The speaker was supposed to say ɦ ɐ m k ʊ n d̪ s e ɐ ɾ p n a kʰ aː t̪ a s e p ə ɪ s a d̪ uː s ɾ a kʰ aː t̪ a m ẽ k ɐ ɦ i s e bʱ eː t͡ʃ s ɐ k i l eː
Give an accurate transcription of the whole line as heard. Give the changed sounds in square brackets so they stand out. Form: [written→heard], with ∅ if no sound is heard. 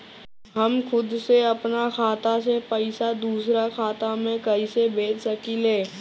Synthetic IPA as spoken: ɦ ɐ m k ʊ [n→∅] d̪ s e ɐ [ɾ→∅] p n a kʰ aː t̪ a s e p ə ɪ s a d̪ uː s ɾ a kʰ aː t̪ a m ẽ k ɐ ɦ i s e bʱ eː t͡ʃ s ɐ k i l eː